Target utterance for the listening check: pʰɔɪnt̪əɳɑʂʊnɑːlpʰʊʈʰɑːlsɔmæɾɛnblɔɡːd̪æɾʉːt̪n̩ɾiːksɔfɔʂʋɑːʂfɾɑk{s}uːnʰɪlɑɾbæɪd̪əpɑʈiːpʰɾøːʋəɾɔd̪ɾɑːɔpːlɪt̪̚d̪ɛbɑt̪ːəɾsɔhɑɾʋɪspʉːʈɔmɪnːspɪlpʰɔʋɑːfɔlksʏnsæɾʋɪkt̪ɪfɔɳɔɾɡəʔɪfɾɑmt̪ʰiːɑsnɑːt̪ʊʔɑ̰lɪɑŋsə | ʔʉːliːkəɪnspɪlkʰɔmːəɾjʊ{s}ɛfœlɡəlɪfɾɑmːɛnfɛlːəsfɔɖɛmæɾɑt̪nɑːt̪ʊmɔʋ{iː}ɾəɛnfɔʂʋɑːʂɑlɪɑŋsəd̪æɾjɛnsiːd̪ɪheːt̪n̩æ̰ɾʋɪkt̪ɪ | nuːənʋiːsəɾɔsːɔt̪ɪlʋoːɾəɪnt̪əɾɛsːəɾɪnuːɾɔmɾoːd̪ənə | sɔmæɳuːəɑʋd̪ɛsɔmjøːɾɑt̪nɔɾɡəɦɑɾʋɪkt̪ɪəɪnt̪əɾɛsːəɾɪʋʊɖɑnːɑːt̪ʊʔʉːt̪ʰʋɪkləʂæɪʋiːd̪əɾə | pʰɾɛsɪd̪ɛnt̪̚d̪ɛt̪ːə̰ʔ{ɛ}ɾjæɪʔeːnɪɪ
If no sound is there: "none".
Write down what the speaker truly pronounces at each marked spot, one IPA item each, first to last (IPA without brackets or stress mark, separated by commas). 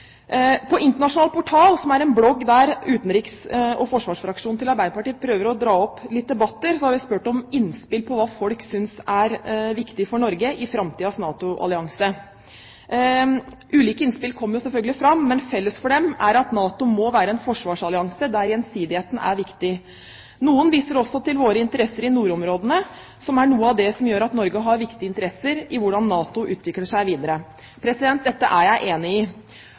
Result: ʂ, s, æː, æ